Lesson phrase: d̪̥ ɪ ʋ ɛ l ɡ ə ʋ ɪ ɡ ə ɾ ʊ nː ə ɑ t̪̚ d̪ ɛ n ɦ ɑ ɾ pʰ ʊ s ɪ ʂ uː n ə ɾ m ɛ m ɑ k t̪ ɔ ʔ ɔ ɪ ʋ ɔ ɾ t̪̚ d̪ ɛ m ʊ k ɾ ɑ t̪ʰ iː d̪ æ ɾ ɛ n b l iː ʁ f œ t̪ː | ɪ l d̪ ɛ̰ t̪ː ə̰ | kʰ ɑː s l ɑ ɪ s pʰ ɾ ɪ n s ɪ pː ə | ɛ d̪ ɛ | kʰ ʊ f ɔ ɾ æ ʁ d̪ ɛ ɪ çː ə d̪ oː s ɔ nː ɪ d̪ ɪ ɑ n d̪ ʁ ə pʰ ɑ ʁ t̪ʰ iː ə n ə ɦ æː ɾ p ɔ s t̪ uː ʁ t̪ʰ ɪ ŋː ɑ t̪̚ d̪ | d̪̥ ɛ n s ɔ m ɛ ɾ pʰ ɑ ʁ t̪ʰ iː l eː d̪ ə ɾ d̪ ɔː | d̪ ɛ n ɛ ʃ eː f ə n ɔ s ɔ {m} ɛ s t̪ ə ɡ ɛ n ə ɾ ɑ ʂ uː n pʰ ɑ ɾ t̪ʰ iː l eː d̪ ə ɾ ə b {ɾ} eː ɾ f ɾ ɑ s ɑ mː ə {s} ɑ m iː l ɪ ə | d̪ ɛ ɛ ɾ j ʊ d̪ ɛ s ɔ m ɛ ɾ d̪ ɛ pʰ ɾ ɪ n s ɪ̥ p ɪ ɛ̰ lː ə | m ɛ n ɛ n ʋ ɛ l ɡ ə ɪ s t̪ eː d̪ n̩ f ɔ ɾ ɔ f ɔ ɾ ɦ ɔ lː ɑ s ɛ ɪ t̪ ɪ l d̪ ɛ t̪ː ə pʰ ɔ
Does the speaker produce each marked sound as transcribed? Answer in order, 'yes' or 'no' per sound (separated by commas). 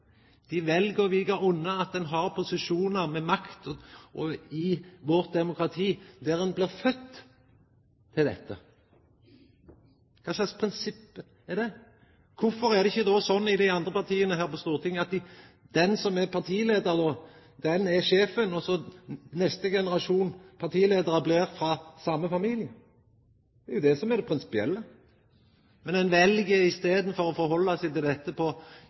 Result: no, no, no